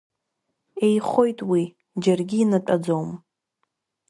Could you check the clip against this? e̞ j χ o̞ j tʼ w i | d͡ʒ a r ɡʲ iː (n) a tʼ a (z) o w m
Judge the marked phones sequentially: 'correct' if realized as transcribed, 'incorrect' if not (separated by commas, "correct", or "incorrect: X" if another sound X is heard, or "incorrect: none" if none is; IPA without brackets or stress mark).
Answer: correct, incorrect: d͡z